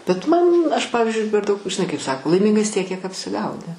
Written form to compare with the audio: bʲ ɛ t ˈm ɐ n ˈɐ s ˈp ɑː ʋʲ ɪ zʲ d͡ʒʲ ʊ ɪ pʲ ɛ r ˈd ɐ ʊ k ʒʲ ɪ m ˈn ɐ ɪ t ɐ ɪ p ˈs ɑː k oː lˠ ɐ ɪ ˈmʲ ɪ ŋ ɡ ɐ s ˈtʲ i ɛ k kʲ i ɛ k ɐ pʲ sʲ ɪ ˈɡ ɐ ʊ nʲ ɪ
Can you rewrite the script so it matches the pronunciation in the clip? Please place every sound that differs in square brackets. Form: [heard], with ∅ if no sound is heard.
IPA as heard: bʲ ɛ t ˈm ɐ n ˈɐ [ʃ] ˈp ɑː ʋʲ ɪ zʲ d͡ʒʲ ʊ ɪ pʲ ɛ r ˈd ɐ ʊ k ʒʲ ɪ [∅] ˈn ɐ ɪ [k] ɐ ɪ p ˈs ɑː k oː lˠ ɐ ɪ ˈmʲ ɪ ŋ ɡ ɐ s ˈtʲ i ɛ k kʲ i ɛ k ɐ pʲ sʲ ɪ ˈɡ ɐ ʊ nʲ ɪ